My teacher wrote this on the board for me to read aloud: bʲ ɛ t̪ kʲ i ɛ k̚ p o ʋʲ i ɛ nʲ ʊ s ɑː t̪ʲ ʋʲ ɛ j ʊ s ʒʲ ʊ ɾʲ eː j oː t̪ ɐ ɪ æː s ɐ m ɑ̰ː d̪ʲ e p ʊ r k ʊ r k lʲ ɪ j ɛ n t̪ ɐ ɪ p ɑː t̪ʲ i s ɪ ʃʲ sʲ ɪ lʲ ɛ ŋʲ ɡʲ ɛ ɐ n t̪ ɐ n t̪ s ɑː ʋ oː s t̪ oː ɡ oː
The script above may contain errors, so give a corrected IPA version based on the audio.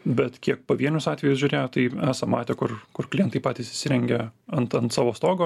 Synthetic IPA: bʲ ɛ t̪ kʲ i ɛ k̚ p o ʋʲ i ɛ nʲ ʊ s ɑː t̪ʲ ʋʲ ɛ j ʊ s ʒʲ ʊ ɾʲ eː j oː t̪ ɐ ɪ æː s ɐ m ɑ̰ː t̪ʲ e k ʊ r k ʊ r k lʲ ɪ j ɛ n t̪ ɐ ɪ p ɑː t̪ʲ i s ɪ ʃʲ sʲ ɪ ɾʲ ɛ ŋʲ ɡʲ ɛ ɐ n t̪ ɐ n t̪ s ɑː ʋ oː s t̪ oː ɡ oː